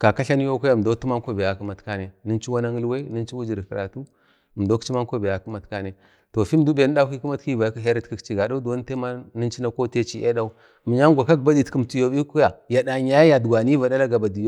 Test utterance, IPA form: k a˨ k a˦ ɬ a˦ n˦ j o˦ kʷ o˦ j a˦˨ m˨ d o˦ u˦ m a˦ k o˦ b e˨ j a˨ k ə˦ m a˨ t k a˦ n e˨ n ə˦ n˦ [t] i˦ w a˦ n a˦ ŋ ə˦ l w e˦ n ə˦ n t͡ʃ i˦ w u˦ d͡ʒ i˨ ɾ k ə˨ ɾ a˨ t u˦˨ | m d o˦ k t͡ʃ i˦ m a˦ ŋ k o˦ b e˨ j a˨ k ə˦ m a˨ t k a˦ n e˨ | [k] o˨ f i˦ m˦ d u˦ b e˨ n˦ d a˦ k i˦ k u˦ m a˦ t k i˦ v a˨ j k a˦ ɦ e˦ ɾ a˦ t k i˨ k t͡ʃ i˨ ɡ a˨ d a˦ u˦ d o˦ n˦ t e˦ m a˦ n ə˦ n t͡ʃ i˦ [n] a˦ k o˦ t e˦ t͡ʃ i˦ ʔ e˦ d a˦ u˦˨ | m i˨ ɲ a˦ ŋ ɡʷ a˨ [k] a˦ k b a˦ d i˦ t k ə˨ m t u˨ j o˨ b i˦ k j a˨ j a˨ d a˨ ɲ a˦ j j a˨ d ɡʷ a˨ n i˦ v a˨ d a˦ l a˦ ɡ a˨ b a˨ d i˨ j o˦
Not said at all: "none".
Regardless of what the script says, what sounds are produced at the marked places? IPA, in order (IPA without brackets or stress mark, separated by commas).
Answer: t͡ʃ, t, n, k